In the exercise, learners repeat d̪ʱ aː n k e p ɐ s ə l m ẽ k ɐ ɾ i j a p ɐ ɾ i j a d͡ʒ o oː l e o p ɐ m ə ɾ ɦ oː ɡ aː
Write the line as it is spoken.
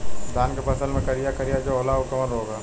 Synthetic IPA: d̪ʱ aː n k e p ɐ s ə l m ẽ k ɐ ɾ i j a k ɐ ɾ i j a d͡ʒ o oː l a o k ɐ m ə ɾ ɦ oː ɡ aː